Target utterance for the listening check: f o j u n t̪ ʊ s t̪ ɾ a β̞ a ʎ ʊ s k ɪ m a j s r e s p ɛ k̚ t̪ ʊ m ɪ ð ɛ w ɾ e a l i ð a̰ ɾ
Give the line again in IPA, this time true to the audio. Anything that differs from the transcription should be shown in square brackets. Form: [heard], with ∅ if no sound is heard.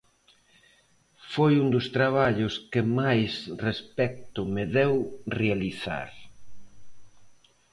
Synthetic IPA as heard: f o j u n [d̪] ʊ s t̪ ɾ a β̞ a ʎ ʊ s k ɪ m a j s r e s p ɛ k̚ t̪ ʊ m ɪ ð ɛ w [r] e a l i [θ] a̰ ɾ